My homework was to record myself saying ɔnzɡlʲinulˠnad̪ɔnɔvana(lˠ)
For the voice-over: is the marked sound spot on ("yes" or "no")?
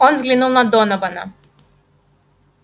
no